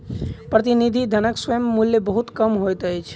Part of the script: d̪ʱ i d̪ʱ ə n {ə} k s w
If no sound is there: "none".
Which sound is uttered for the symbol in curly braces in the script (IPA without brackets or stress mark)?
ə